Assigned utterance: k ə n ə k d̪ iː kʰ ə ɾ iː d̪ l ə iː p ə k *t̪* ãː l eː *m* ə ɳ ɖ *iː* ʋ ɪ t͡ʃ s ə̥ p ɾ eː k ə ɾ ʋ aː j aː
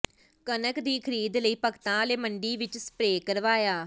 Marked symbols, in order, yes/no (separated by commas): yes, yes, yes